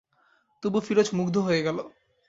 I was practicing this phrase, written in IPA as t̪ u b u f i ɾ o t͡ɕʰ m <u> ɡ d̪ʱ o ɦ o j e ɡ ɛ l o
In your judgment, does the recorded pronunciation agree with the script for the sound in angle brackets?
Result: yes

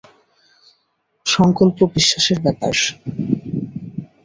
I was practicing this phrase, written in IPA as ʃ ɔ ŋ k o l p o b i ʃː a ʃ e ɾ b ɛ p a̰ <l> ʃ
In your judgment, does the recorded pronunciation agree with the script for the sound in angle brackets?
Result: no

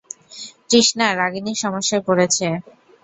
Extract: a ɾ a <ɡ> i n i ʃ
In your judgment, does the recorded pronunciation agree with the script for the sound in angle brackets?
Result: yes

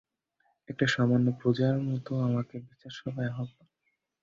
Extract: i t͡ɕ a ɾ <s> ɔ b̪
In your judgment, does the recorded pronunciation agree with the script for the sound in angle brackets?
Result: no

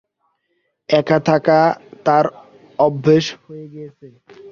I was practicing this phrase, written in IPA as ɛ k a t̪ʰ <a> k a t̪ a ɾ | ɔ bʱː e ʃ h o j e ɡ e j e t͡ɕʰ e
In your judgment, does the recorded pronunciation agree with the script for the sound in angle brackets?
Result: yes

